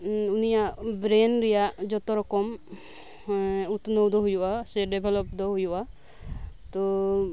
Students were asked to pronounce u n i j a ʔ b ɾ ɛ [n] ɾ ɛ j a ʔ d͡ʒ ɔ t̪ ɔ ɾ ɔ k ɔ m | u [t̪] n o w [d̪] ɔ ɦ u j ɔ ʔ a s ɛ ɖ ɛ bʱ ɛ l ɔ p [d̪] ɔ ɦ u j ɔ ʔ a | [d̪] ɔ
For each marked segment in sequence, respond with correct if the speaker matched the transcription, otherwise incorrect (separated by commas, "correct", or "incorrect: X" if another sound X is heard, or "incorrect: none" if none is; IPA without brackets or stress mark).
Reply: correct, correct, correct, correct, incorrect: t̪